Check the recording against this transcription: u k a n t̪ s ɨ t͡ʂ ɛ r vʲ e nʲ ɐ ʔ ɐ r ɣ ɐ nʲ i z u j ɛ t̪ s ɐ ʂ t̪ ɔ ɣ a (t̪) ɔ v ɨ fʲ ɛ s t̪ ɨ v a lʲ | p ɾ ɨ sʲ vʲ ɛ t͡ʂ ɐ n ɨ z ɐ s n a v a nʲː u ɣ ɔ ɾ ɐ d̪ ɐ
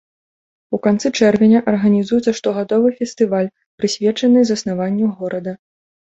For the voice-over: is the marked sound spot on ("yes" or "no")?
no